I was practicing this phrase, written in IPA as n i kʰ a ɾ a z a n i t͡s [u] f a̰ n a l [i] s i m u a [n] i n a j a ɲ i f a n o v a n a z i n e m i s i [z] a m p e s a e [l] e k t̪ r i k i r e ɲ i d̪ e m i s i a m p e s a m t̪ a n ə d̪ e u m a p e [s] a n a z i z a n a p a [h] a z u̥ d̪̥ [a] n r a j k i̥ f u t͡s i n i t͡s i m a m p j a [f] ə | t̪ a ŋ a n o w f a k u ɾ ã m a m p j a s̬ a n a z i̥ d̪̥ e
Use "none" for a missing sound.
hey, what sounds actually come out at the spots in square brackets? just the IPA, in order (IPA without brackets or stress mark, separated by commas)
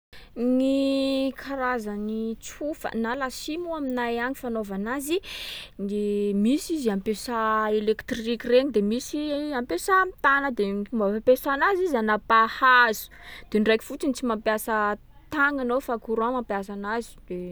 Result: u, a, m, z, l, s, h, e, s